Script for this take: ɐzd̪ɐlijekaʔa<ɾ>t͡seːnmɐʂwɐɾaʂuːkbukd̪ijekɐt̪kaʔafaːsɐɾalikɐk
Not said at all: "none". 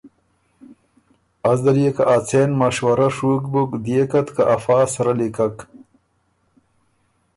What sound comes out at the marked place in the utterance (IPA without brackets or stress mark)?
none